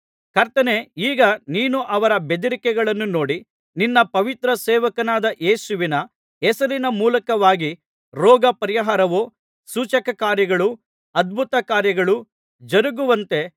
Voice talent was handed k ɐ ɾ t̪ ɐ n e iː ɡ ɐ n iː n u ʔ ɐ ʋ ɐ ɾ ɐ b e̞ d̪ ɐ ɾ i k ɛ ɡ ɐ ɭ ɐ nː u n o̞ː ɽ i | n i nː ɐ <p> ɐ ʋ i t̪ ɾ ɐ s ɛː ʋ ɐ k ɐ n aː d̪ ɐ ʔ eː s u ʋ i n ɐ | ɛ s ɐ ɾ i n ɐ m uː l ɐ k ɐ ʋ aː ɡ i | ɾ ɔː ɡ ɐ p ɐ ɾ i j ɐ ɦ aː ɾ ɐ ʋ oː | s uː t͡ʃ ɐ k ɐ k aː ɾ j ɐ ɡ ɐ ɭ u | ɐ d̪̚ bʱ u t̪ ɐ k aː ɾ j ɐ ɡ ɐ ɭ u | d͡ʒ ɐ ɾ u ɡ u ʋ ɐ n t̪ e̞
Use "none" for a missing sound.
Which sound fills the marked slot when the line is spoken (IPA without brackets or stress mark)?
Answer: p